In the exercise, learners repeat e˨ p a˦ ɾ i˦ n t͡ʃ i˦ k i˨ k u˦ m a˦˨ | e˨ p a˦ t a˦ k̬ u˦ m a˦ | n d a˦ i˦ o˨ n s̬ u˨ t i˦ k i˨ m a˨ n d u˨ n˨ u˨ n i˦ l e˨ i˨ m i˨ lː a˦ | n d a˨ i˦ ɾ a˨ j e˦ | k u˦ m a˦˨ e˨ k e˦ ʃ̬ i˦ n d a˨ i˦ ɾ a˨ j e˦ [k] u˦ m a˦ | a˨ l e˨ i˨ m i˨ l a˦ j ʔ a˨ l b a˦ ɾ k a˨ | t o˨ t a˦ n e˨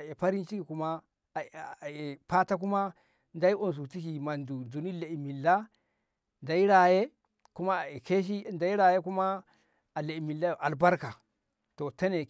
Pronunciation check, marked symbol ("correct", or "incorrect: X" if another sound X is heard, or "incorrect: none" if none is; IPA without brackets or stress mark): correct